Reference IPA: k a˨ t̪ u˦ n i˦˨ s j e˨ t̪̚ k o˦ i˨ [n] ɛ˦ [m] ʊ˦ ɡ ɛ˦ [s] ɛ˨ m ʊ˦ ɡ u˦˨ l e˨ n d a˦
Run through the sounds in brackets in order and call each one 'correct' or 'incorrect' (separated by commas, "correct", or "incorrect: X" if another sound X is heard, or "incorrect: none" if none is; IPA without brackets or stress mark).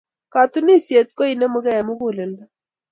correct, correct, incorrect: none